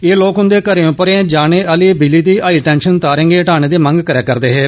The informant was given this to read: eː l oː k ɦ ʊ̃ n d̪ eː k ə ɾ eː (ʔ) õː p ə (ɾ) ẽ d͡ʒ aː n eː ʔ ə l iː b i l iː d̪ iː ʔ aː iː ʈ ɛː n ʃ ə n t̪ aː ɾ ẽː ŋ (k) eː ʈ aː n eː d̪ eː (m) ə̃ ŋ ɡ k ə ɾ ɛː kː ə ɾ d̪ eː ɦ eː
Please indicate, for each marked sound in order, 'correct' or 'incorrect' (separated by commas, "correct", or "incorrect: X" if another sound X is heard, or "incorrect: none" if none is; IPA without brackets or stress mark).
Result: incorrect: none, correct, incorrect: ɡ, correct